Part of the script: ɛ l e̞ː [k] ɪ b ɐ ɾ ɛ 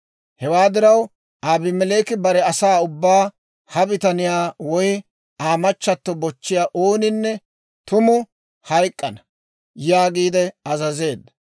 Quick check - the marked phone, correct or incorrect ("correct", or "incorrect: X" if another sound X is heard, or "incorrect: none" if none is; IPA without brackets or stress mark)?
correct